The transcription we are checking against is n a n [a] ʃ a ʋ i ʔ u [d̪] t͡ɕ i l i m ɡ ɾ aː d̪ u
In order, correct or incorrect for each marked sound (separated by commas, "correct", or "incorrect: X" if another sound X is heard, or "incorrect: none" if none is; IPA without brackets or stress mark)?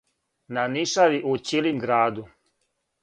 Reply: incorrect: i, incorrect: none